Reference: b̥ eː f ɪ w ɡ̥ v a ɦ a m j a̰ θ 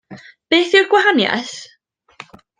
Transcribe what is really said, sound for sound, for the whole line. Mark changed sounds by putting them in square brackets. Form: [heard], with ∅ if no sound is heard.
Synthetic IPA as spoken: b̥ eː [θ] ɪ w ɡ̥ [w] a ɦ a [n] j a̰ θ